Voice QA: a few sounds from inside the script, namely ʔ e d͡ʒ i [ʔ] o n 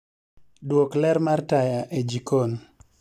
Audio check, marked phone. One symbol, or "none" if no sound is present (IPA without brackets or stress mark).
k